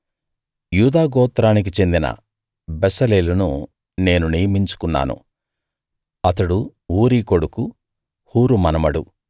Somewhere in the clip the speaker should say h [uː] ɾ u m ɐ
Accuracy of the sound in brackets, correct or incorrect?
correct